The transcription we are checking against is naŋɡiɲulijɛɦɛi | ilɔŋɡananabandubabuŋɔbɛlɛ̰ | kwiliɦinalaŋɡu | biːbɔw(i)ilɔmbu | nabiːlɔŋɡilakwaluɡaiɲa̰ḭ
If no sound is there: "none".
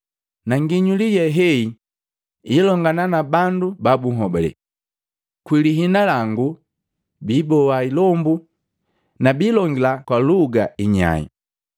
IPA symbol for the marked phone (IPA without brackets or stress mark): a